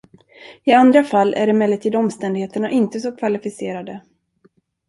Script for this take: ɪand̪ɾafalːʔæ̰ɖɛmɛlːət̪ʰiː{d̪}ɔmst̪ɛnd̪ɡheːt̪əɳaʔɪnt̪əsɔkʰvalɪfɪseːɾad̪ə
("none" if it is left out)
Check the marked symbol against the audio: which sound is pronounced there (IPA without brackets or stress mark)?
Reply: d̪